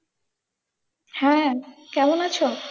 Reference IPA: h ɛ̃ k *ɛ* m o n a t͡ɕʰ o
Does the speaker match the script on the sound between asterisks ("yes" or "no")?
yes